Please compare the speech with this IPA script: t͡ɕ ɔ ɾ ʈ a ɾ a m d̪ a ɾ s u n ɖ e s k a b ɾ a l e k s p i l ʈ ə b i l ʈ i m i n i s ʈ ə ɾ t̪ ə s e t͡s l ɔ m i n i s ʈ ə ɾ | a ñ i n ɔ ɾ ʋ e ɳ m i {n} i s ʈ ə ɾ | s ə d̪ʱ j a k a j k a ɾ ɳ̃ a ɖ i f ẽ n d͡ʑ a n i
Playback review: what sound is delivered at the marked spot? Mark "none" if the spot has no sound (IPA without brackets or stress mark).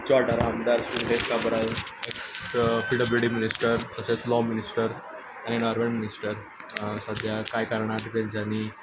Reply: n